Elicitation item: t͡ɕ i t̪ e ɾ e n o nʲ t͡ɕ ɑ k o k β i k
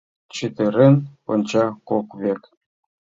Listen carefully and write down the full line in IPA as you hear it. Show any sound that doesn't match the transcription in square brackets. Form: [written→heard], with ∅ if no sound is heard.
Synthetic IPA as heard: t͡ɕ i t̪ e ɾ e n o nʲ t͡ɕ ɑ k o k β [i→e] k